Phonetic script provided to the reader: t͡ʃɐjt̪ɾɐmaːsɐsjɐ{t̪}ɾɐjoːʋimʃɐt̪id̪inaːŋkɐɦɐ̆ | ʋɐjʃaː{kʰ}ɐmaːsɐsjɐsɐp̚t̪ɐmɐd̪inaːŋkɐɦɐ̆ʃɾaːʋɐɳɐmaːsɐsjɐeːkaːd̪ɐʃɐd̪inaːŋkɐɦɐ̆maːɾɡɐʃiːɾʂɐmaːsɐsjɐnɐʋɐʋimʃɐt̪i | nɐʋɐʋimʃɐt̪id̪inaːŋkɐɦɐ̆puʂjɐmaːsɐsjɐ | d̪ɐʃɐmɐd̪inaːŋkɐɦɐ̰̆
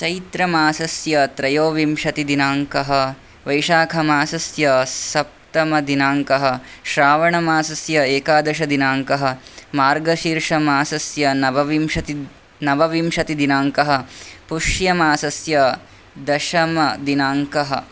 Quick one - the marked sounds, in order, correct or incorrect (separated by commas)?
correct, correct